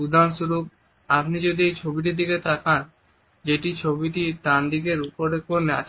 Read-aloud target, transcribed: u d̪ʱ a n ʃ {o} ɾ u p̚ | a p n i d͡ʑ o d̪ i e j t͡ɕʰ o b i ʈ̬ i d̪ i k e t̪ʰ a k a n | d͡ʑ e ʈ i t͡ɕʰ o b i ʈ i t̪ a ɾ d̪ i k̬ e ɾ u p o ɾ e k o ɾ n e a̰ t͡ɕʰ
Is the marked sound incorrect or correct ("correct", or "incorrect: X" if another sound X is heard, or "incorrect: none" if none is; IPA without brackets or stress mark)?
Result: incorrect: u